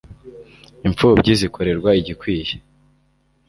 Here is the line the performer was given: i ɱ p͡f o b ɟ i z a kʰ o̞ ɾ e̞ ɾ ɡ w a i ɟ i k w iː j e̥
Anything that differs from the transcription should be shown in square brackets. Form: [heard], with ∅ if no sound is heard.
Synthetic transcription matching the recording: i ɱ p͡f [u] b ɟ i z [i] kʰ o̞ ɾ e̞ ɾ ɡ w a i ɟ i k w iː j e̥